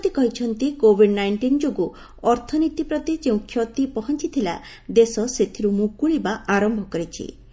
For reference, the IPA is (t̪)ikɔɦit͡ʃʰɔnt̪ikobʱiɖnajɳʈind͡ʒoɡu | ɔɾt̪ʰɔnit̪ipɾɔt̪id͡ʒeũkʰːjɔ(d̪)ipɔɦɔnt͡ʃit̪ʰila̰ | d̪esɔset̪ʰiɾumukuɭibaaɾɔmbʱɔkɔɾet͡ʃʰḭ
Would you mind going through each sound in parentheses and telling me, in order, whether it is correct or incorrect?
correct, incorrect: t̪

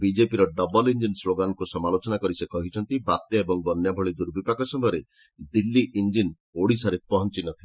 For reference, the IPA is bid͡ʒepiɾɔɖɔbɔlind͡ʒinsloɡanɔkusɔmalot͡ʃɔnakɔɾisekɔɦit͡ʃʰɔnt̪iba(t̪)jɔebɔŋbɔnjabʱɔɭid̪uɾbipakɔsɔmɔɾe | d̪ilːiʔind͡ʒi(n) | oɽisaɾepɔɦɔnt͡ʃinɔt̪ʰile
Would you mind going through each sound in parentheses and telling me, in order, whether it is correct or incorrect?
correct, correct

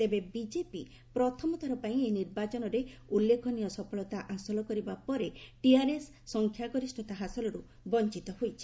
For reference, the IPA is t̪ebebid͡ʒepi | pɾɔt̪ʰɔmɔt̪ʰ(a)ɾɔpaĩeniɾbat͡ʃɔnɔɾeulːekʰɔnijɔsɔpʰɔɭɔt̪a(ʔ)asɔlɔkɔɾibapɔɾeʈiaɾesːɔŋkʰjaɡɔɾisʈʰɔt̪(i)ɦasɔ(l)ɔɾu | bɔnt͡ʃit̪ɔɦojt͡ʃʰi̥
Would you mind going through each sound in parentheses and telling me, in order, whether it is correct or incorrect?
correct, correct, incorrect: a, correct

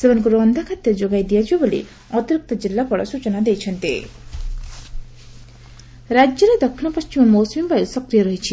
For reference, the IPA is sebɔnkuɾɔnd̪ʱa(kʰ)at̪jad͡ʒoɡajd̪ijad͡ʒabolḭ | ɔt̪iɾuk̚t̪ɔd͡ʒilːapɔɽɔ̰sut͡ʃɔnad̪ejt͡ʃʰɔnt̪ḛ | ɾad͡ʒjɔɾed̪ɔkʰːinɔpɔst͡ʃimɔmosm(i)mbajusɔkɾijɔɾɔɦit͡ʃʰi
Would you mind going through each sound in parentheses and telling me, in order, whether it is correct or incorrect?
correct, correct

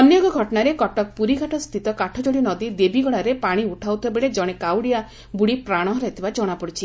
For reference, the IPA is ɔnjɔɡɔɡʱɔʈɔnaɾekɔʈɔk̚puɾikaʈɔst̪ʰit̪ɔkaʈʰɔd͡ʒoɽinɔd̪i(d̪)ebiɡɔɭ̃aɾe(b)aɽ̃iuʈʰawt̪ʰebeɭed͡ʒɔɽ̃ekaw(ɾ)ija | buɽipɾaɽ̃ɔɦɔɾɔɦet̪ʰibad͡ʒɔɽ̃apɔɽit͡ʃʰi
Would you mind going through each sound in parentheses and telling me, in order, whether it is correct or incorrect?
correct, incorrect: p, incorrect: ɽ

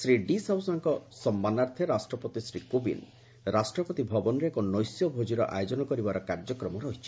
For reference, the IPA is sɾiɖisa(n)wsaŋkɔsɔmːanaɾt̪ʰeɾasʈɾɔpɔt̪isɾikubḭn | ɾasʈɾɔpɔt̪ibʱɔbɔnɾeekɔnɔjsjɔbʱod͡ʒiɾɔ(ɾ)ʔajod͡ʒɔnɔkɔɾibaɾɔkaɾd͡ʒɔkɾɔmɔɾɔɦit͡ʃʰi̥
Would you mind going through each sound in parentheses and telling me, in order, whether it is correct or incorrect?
incorrect: none, incorrect: none

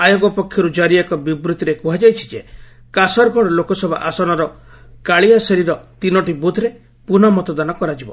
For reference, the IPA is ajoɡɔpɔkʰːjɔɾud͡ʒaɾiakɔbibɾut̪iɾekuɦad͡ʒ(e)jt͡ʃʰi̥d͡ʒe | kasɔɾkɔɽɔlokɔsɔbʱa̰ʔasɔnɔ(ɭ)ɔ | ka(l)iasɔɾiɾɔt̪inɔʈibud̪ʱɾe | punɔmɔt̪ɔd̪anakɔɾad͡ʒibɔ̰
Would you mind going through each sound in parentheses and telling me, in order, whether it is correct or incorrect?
incorrect: a, incorrect: ɾ, incorrect: ɭ

